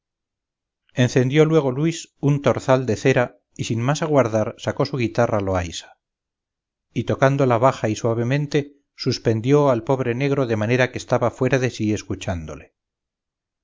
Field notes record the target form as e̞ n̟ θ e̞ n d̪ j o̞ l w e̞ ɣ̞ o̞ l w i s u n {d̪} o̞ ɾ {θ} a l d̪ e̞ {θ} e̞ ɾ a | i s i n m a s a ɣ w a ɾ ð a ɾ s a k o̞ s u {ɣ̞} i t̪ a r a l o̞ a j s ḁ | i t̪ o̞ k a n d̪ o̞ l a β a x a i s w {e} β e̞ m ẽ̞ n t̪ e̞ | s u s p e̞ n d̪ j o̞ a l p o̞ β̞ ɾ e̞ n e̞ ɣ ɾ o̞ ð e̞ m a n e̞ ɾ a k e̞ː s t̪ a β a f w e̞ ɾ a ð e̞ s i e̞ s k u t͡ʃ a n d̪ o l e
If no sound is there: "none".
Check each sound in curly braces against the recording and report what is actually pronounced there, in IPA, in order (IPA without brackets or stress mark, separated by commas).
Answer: t̪, θ, θ, ɣ̞, a